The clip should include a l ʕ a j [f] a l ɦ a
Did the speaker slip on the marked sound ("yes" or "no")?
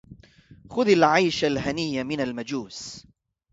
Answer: yes